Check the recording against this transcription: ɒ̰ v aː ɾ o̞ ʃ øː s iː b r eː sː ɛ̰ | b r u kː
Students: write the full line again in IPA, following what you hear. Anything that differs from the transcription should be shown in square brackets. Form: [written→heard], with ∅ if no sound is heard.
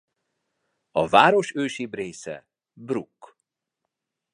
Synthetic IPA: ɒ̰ v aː ɾ o̞ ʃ øː [s→ʃ] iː b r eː [sː→s] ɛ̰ | b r u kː

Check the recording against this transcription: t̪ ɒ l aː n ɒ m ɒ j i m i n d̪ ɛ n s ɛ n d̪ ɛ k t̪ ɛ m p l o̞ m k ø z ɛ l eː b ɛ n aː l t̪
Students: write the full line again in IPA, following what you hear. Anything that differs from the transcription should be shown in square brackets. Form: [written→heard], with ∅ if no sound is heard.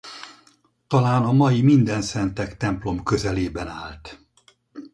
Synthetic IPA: t̪ ɒ l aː n ɒ m ɒ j i m i n d̪ ɛ n s ɛ n [d̪→t̪] ɛ k t̪ ɛ m p l o̞ m k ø z ɛ l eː b ɛ n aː l t̪

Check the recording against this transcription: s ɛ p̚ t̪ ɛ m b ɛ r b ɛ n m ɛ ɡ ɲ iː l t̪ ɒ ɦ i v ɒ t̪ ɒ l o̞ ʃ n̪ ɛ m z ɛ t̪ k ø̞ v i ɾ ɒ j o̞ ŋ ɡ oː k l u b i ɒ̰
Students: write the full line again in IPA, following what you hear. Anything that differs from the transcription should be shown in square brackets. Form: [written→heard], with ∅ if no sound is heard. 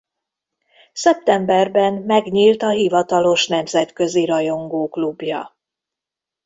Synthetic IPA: s ɛ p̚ t̪ ɛ m b ɛ r b ɛ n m ɛ ɡ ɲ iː l t̪ ɒ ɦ i v ɒ t̪ ɒ l o̞ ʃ n̪ ɛ m z ɛ t̪ k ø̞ [v→z] i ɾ ɒ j o̞ ŋ ɡ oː k l u b [i→j] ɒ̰

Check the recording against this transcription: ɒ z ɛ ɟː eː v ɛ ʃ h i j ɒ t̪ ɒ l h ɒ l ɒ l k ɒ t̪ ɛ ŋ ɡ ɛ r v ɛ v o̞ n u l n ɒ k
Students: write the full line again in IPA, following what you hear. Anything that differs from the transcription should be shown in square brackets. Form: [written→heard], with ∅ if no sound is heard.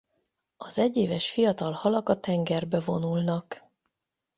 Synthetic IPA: ɒ z ɛ ɟː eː v ɛ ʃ [h→f] i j ɒ t̪ ɒ l h ɒ l ɒ [l→∅] k ɒ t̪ ɛ ŋ ɡ ɛ r [v→b] ɛ v o̞ n u l n ɒ k

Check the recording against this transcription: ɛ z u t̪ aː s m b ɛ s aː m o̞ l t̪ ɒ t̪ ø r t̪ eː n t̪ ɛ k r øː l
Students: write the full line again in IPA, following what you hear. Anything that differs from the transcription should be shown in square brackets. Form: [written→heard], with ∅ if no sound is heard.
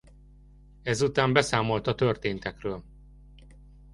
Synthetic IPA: ɛ z u t̪ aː [s→∅] m b ɛ s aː m o̞ l t̪ ɒ t̪ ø r t̪ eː n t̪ ɛ k r øː l

